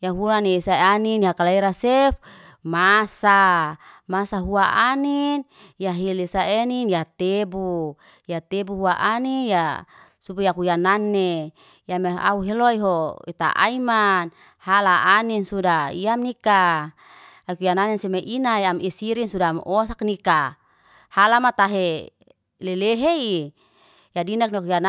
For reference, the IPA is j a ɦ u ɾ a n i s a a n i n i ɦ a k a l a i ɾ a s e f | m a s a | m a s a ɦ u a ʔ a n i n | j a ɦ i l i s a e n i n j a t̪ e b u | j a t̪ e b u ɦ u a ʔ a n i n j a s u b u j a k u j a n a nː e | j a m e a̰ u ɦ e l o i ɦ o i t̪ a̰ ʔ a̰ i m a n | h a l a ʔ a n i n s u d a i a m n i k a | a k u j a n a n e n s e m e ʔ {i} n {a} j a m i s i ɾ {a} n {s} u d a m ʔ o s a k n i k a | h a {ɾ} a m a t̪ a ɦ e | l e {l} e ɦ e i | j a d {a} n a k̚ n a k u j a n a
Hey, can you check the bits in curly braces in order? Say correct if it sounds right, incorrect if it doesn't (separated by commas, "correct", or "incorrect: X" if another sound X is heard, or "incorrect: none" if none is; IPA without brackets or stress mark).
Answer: correct, correct, incorrect: i, correct, incorrect: l, correct, incorrect: i